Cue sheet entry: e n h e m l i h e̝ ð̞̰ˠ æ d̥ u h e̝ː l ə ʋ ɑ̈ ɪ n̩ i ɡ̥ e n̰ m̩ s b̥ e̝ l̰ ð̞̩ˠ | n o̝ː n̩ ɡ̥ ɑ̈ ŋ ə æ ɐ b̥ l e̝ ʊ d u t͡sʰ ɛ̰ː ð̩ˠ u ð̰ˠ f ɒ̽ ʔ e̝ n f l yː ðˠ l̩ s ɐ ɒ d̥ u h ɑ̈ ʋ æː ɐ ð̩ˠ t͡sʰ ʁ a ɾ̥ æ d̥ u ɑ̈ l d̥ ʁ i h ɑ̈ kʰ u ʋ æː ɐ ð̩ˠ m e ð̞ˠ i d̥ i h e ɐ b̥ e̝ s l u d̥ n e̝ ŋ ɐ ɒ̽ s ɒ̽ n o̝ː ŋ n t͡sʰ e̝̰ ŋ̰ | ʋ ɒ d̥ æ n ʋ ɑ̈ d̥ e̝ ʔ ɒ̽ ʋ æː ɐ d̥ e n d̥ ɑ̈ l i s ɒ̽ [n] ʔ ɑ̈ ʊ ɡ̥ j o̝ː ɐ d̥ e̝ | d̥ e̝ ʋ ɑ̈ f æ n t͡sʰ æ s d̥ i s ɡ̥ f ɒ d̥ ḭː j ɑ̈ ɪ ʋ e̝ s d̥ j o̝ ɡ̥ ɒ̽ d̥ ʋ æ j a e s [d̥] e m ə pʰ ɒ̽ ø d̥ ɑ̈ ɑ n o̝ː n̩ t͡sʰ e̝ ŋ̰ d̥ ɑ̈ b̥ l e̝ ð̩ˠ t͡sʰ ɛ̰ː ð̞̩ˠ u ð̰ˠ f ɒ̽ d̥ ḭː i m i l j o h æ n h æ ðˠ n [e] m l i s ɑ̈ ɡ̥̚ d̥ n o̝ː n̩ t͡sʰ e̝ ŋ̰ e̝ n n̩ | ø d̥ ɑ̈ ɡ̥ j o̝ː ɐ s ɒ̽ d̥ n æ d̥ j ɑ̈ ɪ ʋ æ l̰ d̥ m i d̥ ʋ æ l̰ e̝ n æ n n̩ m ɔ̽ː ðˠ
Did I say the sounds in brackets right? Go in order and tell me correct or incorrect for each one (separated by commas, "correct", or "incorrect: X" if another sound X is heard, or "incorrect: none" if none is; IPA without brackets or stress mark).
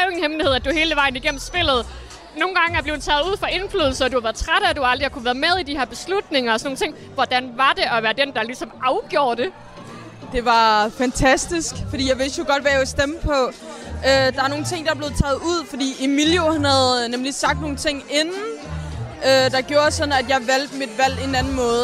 incorrect: m, correct, correct